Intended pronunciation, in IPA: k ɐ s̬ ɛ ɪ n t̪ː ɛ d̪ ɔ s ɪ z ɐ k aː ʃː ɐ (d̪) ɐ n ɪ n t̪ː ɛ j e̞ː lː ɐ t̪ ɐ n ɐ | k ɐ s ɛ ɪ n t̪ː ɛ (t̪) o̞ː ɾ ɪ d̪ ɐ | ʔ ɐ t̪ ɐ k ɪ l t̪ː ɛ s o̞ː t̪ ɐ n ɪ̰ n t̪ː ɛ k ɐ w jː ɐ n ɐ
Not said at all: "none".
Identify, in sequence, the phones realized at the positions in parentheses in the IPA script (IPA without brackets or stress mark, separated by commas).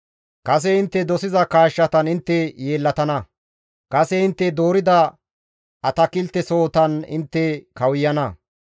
t̪, d̪